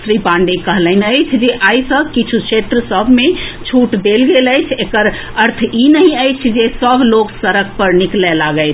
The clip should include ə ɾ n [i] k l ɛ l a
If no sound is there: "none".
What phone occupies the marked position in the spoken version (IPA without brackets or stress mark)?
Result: i